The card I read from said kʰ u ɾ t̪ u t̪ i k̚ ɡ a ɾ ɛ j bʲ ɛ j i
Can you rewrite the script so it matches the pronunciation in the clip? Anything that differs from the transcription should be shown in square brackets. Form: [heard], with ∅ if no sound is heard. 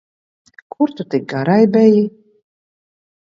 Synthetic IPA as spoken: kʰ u ɾ t̪ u t̪ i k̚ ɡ a ɾ [a] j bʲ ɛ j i